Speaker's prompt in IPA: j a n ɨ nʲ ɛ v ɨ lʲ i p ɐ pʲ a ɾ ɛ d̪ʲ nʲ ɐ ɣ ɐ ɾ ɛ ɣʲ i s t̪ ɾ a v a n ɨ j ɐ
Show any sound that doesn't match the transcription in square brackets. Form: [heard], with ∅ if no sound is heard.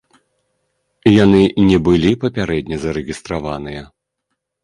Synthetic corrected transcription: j a n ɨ nʲ ɛ [b] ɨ lʲ i p ɐ pʲ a ɾ ɛ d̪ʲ nʲ ɐ [z] ɐ ɾ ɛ ɣʲ i s t̪ ɾ a v a n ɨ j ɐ